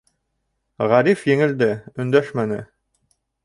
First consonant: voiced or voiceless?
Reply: voiced